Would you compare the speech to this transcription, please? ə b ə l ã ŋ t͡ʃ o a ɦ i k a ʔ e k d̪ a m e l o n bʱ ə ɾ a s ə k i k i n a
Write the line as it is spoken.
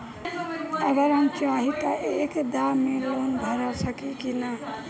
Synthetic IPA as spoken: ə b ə ɾ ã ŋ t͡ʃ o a ɦ i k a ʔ e k d̪ a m e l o n bʱ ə ɾ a s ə k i k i n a